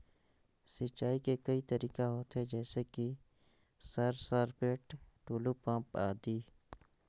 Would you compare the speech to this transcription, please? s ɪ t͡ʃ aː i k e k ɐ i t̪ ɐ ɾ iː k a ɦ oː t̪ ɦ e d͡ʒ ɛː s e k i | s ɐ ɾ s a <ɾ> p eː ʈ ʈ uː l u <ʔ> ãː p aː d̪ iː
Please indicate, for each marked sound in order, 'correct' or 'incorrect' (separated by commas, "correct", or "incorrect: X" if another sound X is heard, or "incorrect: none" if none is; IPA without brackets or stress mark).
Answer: correct, incorrect: p